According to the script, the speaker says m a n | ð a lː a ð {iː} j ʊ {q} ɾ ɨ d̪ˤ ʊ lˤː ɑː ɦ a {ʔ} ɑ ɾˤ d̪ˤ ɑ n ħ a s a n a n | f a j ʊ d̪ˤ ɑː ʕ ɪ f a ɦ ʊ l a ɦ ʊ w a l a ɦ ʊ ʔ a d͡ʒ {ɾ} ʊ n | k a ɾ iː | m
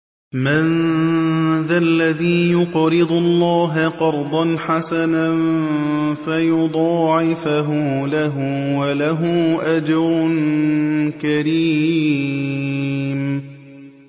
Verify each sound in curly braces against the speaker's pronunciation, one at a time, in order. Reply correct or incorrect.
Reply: correct, correct, incorrect, correct

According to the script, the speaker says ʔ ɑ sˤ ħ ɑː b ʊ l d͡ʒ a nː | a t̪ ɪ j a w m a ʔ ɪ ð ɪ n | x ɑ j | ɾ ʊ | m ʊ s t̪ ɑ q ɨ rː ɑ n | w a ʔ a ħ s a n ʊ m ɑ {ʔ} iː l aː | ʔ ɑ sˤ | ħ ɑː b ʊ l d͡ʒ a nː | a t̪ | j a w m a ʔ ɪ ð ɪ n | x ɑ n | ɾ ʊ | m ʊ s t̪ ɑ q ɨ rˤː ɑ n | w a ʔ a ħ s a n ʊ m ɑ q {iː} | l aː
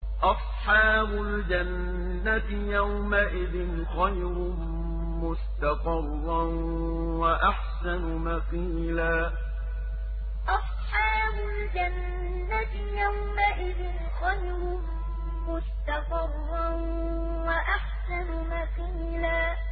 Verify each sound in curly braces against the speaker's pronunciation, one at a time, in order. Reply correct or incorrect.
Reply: incorrect, correct

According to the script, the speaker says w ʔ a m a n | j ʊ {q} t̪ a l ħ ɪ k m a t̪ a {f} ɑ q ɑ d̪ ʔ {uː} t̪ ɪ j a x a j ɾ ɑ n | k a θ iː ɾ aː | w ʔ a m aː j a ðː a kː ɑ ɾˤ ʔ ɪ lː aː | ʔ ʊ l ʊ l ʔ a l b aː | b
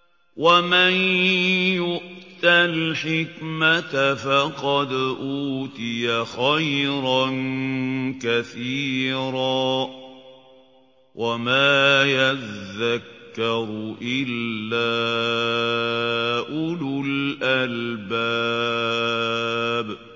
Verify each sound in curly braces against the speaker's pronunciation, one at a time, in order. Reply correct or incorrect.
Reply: incorrect, correct, correct

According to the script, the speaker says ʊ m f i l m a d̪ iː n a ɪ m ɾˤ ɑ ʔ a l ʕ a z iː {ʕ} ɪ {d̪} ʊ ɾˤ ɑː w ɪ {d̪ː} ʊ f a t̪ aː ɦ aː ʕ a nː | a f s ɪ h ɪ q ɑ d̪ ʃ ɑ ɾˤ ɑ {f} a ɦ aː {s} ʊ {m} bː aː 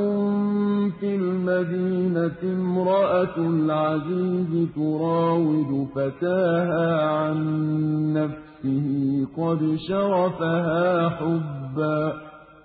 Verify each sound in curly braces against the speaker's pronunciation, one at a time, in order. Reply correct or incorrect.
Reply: incorrect, incorrect, incorrect, correct, incorrect, incorrect

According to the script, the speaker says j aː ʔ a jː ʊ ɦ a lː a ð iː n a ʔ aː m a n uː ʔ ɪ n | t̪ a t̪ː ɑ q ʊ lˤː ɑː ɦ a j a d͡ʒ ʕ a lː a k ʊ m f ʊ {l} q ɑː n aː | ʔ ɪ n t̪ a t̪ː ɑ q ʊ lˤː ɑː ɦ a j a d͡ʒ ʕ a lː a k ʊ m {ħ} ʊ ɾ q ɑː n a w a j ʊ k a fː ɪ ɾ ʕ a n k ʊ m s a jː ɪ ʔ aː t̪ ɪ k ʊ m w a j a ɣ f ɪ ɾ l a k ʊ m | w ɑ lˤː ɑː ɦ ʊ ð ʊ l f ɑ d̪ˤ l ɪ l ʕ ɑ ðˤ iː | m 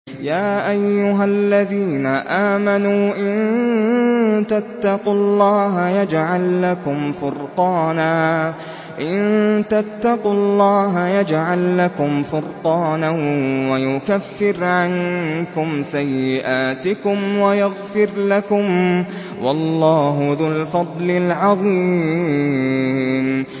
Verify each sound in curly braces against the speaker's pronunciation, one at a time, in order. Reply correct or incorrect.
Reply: incorrect, incorrect

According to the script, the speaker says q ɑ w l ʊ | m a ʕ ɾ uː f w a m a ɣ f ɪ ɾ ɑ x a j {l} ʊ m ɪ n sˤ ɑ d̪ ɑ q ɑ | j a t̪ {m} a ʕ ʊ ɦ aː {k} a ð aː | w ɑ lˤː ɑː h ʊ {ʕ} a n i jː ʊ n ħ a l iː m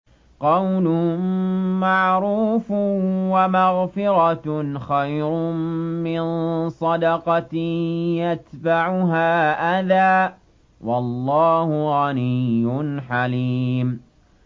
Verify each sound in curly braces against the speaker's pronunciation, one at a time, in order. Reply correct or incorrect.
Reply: incorrect, incorrect, incorrect, incorrect

